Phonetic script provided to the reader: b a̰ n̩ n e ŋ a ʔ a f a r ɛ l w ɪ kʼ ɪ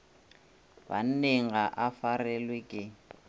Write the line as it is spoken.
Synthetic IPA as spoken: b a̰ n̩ n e ŋ a ʔ a f a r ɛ l w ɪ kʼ ɪ